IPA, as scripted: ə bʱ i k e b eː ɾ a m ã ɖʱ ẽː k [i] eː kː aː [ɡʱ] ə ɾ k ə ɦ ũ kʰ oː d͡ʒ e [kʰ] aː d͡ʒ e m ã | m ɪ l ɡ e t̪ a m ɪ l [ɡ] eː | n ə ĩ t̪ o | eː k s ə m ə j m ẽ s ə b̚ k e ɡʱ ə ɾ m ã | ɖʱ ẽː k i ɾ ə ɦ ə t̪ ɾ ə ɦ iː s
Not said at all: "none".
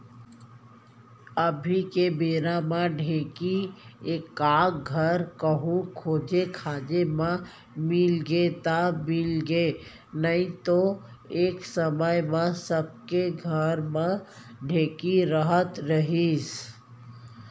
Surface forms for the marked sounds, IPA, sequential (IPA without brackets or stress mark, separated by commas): i, ɡʱ, kʰ, ɡ